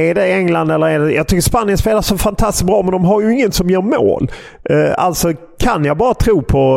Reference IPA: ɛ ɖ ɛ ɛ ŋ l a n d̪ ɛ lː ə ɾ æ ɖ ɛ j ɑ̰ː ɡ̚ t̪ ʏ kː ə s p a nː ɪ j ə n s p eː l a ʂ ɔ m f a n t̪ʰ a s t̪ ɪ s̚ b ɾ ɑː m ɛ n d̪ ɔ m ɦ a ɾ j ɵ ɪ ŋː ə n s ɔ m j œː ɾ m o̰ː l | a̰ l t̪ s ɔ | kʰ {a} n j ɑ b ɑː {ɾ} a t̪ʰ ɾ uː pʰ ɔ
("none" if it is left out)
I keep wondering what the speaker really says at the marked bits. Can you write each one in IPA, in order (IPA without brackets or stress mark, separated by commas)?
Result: a, ɾ